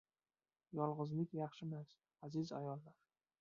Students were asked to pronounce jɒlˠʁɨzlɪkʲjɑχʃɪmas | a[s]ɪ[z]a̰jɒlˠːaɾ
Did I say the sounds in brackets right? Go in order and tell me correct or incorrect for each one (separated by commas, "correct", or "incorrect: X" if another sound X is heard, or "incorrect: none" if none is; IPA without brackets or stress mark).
incorrect: z, correct